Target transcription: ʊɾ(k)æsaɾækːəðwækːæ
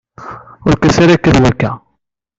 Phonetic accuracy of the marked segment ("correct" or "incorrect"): correct